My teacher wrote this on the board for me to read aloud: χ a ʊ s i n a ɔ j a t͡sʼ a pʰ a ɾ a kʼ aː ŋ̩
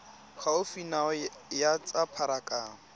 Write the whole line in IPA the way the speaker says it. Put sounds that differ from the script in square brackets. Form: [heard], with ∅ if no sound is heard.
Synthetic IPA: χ a ʊ [f] i n a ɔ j a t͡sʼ a pʰ a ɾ a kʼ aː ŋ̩